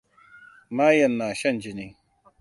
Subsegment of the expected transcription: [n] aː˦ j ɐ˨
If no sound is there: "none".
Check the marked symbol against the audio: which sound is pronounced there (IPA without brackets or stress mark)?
m